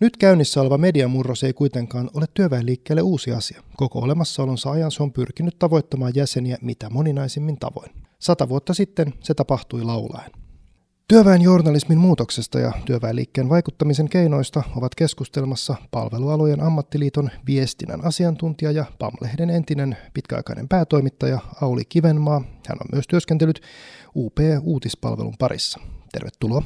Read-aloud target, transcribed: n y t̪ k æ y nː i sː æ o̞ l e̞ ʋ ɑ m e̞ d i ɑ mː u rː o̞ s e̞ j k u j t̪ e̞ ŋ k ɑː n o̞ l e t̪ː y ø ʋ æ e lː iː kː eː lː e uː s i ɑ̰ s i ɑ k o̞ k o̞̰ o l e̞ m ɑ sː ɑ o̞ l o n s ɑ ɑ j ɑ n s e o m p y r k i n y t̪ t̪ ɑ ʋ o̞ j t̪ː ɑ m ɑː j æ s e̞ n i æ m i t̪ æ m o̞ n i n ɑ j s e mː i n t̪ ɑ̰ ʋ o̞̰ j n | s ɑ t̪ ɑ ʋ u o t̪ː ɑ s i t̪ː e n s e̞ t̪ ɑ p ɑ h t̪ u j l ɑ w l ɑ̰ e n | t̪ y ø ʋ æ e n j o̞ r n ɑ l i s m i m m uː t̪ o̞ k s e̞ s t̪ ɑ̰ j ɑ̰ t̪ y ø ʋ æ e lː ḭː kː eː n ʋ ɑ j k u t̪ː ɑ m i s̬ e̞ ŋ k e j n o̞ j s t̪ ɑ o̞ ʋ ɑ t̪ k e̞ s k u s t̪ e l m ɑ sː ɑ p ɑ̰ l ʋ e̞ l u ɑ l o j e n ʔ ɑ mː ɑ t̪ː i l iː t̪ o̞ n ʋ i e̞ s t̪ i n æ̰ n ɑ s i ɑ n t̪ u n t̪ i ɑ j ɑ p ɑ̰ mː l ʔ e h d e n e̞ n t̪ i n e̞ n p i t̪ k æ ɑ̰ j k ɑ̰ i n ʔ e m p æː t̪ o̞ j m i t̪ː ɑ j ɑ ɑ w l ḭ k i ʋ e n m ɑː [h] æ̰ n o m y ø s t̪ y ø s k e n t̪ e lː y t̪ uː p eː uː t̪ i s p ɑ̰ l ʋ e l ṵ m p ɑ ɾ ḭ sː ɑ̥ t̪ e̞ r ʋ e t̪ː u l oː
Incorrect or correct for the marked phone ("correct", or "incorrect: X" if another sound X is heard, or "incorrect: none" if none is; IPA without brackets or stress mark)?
correct